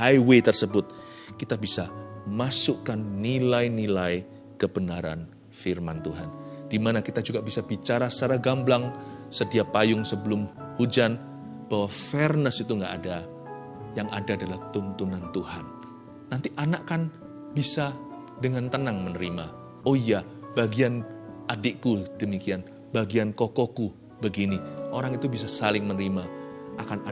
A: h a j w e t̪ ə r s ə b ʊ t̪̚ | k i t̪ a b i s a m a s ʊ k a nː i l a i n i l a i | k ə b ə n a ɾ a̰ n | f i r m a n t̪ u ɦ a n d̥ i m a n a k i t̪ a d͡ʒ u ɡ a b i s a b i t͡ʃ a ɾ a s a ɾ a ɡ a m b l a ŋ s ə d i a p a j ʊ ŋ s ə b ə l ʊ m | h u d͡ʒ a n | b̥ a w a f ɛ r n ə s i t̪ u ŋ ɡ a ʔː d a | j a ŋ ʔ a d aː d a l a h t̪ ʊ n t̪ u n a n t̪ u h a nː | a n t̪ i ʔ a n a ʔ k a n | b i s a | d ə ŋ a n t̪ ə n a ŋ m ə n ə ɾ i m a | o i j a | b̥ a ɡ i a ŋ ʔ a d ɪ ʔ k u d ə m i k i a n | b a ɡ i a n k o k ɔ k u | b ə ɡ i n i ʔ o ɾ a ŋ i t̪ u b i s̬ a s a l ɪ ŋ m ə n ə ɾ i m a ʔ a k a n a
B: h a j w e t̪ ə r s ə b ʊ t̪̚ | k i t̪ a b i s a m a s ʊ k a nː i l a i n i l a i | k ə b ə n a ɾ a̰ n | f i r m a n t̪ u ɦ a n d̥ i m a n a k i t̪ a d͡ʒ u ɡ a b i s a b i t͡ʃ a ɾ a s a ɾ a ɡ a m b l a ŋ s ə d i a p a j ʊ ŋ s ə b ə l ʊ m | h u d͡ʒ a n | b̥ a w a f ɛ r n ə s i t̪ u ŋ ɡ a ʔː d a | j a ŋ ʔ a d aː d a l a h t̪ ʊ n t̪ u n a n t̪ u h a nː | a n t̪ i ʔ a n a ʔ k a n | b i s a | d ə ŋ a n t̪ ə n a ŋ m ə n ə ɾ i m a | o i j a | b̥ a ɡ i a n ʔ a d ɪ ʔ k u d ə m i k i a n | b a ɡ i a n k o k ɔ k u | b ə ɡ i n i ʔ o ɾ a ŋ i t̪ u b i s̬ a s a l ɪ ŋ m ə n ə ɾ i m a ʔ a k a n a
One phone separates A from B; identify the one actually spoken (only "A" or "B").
B